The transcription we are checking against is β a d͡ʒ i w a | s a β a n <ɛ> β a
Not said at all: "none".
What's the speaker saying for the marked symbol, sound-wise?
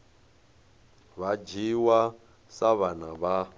a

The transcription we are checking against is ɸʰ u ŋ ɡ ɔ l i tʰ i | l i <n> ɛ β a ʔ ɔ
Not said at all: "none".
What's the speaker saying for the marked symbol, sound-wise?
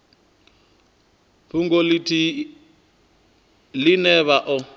n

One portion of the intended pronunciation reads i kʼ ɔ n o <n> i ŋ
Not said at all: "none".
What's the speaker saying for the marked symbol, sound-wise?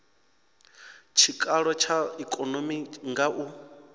m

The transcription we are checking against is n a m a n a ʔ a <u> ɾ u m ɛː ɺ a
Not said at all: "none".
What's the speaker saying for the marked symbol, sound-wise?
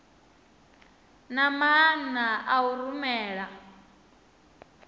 u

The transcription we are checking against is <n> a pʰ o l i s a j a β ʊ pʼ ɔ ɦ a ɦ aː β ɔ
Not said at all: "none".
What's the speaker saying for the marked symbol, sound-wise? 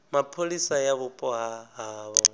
m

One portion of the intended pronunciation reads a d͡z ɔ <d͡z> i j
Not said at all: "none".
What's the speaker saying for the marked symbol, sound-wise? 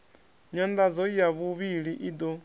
none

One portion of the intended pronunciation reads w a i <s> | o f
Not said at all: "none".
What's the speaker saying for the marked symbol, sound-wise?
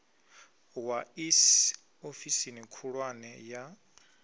s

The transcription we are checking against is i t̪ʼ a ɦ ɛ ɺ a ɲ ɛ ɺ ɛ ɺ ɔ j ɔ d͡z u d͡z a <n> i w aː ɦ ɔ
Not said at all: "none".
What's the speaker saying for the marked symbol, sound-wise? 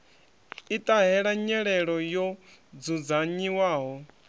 ɲ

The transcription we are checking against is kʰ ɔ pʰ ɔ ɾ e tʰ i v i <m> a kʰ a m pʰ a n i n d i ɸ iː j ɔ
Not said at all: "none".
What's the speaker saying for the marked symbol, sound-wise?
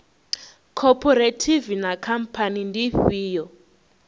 n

